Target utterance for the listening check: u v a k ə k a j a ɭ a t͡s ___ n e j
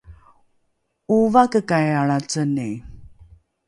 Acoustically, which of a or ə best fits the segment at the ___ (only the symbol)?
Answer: ə